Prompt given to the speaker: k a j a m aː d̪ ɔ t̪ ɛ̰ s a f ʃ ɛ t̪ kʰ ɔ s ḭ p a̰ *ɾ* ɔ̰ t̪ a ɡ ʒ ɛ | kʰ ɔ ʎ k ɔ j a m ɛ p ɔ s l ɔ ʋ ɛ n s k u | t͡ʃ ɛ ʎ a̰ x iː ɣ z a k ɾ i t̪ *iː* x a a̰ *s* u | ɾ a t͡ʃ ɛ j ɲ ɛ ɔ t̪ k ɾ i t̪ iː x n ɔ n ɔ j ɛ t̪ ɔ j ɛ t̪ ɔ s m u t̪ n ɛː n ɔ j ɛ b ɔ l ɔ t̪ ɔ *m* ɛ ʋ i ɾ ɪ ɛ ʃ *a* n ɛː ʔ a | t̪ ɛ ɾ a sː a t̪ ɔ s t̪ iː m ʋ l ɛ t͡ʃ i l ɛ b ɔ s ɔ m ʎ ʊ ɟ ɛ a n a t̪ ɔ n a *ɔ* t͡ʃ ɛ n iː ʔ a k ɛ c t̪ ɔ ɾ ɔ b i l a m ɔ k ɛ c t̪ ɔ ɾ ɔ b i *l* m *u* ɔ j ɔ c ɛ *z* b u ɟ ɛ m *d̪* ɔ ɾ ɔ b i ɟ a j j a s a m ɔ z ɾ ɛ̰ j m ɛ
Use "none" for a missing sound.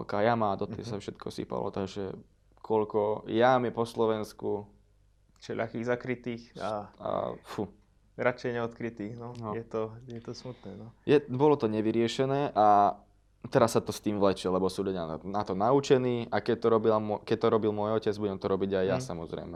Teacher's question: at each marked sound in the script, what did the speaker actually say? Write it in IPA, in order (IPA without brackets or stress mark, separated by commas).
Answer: l, iː, f, ɲ, ɛ, u, l, ʊ, d͡z, t̪